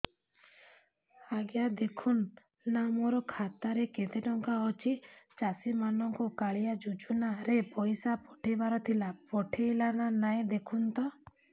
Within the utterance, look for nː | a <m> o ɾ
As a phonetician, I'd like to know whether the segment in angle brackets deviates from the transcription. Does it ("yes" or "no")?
no